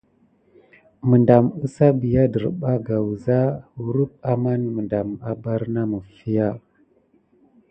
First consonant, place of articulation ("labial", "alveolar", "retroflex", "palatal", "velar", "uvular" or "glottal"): labial